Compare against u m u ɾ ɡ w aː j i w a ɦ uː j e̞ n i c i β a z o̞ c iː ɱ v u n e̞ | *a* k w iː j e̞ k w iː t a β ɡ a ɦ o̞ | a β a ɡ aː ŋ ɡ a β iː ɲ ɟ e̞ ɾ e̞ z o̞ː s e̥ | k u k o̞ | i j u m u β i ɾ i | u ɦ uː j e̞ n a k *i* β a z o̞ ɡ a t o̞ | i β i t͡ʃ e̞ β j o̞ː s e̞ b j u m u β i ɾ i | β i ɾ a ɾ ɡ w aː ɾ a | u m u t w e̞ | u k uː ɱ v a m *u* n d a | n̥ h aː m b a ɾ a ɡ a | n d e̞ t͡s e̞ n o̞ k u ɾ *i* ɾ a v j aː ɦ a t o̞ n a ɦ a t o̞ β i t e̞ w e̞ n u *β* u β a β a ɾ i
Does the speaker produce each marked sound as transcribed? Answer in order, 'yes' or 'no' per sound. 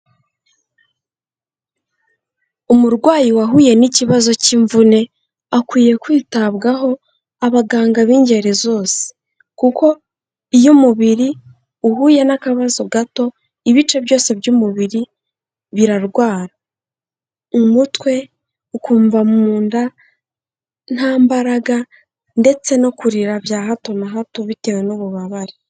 yes, no, no, yes, yes

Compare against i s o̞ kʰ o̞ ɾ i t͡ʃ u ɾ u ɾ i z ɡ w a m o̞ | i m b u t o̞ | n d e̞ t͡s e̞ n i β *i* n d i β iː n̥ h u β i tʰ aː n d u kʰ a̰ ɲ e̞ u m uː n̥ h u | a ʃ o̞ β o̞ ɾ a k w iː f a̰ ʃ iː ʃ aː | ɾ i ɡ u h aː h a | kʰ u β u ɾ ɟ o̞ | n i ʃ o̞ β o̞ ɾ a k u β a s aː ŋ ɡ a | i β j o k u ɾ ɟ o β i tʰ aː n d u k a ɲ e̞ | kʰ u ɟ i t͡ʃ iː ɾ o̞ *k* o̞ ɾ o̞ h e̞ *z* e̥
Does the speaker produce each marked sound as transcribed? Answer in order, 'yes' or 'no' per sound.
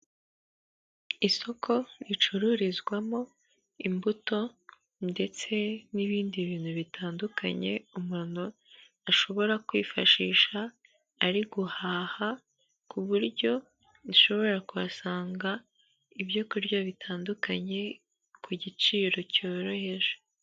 no, no, no

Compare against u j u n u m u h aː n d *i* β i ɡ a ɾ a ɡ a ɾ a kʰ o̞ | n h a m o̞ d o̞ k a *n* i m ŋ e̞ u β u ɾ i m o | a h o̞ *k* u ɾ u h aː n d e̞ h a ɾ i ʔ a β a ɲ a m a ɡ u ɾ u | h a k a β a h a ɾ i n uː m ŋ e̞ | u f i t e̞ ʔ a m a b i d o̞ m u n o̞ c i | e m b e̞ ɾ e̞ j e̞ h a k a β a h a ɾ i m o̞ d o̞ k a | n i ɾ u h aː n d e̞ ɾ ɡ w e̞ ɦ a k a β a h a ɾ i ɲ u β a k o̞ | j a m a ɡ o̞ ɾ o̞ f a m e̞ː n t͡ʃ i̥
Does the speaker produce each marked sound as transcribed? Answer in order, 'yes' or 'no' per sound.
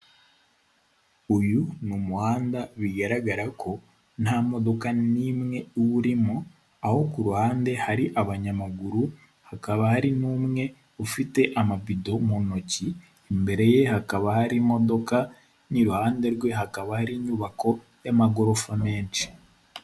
no, yes, yes

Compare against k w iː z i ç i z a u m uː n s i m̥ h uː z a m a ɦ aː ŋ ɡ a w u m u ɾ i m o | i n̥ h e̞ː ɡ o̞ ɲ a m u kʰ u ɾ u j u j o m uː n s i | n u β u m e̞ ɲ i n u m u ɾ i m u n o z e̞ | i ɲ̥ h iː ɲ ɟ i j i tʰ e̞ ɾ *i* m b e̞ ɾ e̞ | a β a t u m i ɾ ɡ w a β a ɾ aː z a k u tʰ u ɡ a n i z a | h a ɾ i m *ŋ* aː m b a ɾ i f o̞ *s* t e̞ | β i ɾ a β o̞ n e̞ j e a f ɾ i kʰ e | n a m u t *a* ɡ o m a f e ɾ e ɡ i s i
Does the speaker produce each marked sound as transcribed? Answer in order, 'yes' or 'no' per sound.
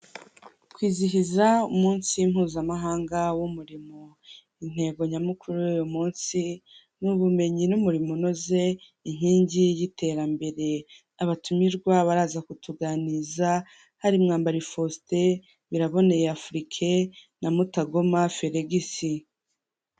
no, yes, yes, yes

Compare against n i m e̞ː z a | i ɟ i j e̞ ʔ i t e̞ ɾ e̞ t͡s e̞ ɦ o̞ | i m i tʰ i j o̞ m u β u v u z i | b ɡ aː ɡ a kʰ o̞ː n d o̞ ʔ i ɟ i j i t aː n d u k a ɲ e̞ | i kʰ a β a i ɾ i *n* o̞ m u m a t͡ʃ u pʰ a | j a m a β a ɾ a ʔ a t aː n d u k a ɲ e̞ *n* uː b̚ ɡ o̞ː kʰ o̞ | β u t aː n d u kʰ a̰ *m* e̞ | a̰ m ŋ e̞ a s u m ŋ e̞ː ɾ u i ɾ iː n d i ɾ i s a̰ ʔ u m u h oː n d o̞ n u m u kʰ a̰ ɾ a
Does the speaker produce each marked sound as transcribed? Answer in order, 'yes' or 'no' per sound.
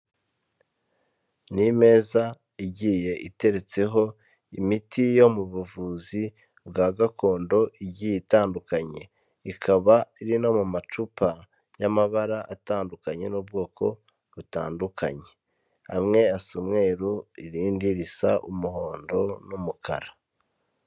yes, yes, no

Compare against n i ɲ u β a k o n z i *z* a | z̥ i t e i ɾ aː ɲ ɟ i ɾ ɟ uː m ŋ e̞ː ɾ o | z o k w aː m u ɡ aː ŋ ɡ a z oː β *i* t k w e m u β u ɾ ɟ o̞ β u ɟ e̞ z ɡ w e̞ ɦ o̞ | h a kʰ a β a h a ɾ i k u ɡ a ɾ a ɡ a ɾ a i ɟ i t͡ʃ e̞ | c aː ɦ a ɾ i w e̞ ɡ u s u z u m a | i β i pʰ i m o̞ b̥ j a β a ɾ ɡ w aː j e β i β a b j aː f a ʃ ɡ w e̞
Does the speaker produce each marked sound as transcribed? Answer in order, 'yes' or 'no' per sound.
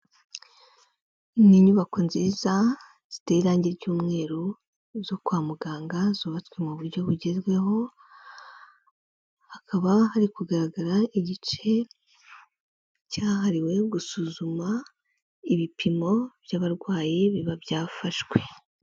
yes, no

